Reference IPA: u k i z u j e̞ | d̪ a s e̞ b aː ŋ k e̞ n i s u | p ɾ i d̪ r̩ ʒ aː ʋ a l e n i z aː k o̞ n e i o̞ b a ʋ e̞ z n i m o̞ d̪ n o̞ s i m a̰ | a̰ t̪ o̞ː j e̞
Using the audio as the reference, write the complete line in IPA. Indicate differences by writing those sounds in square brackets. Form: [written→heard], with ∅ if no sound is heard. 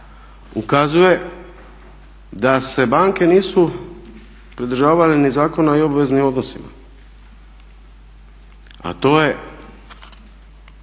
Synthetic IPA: u k [i→a] z u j e̞ | d̪ a s e̞ b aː ŋ k e̞ n [i→iː] s u | p ɾ i d̪ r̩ ʒ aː ʋ a l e n i z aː k o̞ n [e→a] i o̞ b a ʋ e̞ z n i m o̞ d̪ n o̞ s i m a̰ | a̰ t̪ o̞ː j e̞

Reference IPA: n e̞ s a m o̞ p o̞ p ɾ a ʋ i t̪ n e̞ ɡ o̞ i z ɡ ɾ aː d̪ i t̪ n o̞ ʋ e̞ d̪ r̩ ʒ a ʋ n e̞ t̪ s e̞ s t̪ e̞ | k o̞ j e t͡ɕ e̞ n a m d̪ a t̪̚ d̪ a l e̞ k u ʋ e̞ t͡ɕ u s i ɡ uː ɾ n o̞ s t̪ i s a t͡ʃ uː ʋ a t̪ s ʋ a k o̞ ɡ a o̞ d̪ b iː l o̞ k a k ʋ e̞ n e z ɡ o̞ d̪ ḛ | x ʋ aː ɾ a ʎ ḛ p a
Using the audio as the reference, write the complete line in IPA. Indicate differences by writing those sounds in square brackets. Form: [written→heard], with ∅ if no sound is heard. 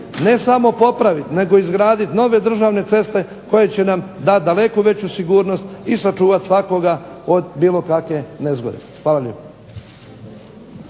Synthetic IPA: n e̞ s a m o̞ p o̞ p ɾ a ʋ i t̪ n e̞ ɡ o̞ i z ɡ ɾ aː d̪ i t̪ n o̞ ʋ e̞ d̪ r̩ ʒ a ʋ n e̞ t̪ s e̞ s t̪ e̞ | k o̞ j e t͡ɕ e̞ n a m d̪ a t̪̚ d̪ a l e̞ k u ʋ e̞ t͡ɕ u s i ɡ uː ɾ n o̞ s t̪ i s a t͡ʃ uː ʋ a t̪ s ʋ a k o̞ ɡ a o̞ d̪ b iː l o̞ k a k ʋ e̞ n e z ɡ o̞ d̪ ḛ | x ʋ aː [ɾ→l] a ʎ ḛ p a

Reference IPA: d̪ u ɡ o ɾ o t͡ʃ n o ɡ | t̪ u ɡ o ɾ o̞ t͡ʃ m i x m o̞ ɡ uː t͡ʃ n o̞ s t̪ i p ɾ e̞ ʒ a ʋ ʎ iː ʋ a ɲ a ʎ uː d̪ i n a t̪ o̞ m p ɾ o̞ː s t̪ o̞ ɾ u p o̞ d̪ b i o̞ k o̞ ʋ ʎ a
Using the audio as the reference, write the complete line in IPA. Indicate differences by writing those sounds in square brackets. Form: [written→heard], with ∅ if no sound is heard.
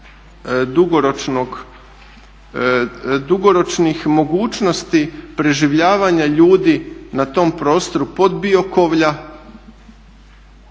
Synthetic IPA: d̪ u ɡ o ɾ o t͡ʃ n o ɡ | [t̪→d̪] u ɡ o ɾ o̞ t͡ʃ [m→n] i x m o̞ ɡ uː t͡ʃ n o̞ s t̪ i p ɾ e̞ ʒ [a→i] ʋ ʎ [iː→aː] ʋ a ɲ a ʎ uː d̪ i n a t̪ o̞ m p ɾ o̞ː s t̪ o̞ ɾ u p o̞ d̪ b i o̞ k o̞ ʋ ʎ a

